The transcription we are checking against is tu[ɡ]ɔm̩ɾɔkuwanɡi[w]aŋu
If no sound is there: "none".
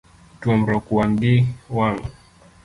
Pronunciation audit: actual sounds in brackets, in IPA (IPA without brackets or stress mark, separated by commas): none, w